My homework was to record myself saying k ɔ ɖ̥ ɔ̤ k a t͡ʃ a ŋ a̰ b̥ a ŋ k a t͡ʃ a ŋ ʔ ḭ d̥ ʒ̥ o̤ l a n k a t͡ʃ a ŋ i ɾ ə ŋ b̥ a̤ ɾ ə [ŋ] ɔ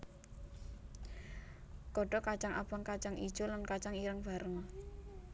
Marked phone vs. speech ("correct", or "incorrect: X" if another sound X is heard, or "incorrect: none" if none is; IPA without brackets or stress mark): correct